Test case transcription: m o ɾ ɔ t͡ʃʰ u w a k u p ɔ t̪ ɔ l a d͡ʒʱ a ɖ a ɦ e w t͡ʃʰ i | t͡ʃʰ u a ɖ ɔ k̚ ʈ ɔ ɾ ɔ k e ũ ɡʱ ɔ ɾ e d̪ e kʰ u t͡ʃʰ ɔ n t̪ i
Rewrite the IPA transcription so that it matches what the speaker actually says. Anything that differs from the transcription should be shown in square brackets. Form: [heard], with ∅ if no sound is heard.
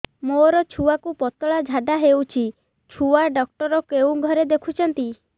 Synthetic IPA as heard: m o ɾ ɔ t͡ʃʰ u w a k u p ɔ t̪ ɔ [ɭ] a d͡ʒʱ a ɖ a ɦ e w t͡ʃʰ i | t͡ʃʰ u a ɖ ɔ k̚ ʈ ɔ ɾ ɔ k e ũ ɡʱ ɔ ɾ e d̪ e kʰ u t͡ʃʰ ɔ n t̪ i